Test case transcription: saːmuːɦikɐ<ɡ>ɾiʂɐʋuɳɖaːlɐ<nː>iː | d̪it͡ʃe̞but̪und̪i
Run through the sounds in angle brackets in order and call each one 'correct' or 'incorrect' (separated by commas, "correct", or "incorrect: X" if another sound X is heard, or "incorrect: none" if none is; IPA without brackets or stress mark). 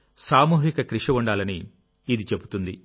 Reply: incorrect: k, incorrect: n